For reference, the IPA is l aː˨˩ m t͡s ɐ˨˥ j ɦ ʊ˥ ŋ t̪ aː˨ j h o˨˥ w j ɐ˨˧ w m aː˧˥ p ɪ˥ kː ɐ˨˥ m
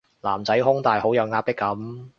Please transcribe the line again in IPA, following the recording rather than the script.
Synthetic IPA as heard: l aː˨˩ m t͡s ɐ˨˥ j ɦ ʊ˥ ŋ t̪ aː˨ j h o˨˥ w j ɐ˨˧ w ŋ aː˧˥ p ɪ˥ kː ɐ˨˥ m